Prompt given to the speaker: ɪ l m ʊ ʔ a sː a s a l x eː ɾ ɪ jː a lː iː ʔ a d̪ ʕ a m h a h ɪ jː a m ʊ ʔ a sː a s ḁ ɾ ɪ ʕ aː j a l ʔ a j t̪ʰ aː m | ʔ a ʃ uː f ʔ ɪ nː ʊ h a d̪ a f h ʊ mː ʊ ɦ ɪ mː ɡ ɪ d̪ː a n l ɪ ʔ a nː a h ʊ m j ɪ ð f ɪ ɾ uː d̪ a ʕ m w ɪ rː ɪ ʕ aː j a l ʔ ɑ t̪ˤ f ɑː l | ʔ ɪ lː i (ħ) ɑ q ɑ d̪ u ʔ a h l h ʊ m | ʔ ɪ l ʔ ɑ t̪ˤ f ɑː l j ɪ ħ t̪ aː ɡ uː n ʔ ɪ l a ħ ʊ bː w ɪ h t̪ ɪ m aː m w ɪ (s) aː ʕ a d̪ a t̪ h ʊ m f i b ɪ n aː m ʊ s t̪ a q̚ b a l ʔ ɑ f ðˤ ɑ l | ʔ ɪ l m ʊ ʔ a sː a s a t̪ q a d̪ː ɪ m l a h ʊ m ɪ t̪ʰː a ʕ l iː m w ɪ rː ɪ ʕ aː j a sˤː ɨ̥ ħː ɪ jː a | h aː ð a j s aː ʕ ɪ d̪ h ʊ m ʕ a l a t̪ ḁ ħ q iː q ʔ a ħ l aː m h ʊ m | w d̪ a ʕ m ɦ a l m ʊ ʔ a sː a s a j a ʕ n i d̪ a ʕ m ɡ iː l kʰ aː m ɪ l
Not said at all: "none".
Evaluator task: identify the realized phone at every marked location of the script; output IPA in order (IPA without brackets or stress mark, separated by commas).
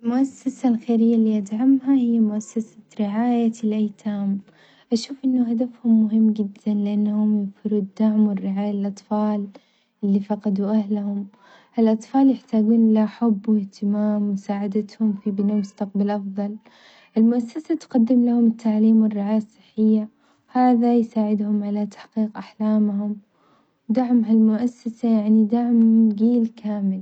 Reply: f, s